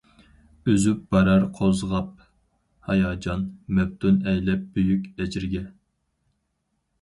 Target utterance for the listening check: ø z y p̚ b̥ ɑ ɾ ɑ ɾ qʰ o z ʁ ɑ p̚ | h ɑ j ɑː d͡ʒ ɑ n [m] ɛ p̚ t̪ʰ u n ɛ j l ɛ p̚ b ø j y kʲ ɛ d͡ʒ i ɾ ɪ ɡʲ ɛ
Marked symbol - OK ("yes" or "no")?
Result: yes